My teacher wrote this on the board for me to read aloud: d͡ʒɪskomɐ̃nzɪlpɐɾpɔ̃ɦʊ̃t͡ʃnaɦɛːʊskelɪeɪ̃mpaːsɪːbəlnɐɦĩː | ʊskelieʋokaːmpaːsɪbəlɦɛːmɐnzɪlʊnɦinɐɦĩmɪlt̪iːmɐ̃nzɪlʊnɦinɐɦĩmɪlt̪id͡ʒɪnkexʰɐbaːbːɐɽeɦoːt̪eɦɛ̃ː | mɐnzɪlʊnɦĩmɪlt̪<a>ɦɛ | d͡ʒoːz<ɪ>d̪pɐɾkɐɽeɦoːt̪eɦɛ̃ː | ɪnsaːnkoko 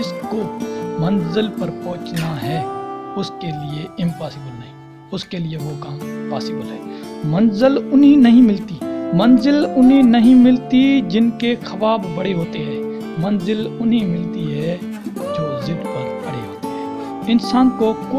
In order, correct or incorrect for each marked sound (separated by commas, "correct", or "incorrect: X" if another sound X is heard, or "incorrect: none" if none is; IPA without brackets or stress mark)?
incorrect: i, correct